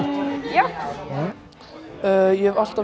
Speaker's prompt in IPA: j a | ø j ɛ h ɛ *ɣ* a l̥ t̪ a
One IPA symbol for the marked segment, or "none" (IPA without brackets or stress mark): v